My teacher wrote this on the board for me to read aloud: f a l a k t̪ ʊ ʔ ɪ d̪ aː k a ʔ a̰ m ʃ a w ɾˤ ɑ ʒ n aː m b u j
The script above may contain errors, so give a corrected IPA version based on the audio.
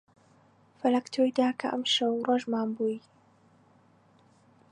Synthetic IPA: f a l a k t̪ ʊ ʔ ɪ d̪ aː k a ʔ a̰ m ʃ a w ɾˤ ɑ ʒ m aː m b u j